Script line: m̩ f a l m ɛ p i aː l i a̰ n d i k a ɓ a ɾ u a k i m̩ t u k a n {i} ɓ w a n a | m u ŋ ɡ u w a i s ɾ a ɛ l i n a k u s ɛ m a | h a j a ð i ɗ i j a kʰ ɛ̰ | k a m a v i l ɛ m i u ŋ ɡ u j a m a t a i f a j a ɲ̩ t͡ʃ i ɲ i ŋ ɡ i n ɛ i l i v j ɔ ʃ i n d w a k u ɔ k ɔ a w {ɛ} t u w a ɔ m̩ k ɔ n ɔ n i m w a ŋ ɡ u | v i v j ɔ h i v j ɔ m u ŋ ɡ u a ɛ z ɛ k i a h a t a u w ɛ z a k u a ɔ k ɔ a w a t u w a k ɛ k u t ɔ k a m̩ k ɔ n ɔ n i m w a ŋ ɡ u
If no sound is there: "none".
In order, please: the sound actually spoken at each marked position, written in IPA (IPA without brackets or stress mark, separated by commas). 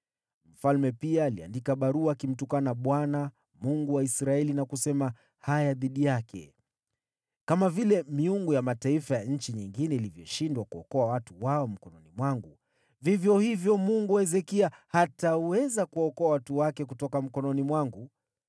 a, a